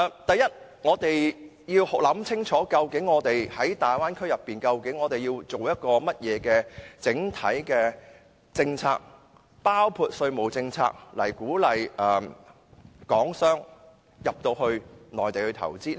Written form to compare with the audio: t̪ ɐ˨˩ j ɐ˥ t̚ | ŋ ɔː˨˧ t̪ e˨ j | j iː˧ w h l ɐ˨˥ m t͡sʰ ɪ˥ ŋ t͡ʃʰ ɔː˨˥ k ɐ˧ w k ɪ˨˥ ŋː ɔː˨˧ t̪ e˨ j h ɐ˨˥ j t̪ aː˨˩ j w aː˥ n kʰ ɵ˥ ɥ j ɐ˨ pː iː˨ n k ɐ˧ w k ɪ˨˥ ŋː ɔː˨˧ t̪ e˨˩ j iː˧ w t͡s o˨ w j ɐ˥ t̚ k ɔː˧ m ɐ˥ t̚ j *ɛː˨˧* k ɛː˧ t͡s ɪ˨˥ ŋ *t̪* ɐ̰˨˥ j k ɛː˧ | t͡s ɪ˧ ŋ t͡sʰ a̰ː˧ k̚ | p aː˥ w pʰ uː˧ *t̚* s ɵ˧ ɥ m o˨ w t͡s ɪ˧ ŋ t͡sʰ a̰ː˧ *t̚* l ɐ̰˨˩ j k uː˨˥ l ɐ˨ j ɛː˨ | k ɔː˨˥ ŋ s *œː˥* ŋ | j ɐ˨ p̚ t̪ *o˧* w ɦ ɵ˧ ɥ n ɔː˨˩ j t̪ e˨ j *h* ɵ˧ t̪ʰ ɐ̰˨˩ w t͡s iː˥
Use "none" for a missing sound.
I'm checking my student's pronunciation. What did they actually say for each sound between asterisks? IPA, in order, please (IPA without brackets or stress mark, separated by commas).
ɛː˨˧, t̪ʰ, t̚, k̚, œː˥, o˧, h